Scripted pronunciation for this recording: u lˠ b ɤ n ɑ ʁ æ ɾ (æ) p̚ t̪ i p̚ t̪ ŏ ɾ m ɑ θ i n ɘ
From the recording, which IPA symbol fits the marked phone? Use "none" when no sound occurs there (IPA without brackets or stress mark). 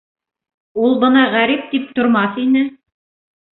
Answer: i